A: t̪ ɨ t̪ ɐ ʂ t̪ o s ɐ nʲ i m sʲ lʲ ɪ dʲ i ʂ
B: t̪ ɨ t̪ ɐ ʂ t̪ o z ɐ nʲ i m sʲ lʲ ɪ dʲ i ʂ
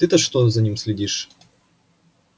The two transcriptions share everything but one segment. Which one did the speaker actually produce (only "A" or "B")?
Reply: B